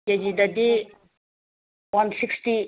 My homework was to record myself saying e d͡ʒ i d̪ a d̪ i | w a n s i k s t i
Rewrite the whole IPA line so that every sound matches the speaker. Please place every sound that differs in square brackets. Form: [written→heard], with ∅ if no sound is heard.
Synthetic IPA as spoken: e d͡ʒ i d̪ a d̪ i | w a n s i k s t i